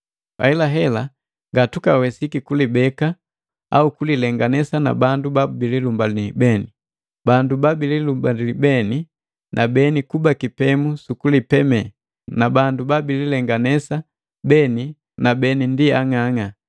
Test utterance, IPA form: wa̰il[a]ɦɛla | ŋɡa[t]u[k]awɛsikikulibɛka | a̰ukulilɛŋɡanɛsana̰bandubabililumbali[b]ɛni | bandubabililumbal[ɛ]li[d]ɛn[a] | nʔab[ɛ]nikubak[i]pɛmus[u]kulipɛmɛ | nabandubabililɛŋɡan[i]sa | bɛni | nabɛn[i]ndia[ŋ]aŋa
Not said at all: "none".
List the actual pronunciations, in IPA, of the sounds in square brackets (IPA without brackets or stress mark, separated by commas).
a, t, k, b, i, b, i, ɛ, i, u, ɛ, i, ŋ